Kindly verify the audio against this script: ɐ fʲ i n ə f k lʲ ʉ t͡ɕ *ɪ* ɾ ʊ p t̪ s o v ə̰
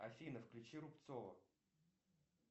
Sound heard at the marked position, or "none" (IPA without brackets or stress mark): i